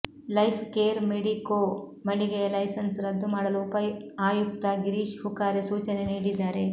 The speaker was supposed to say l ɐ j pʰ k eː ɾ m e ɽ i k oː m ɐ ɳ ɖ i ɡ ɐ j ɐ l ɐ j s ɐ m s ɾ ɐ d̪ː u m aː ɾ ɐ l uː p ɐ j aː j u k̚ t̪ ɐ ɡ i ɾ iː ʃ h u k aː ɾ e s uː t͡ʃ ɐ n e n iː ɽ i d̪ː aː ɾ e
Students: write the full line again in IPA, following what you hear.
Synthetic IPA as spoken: l ɐ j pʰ k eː ɾ m e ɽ i k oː m ɐ ɳ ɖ i ɡ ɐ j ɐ l ɐ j s ɐ n s ɾ ɐ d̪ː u m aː ɽ ɐ l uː p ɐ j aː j u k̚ t̪ ɐ ɡ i ɾ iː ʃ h u k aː ɾ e s uː t͡ʃ ɐ n e n iː ɽ i d̪ː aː ɾ e